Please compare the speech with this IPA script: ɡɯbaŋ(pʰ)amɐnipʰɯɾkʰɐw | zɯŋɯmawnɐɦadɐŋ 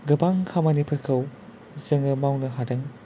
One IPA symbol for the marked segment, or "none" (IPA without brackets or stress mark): kʰ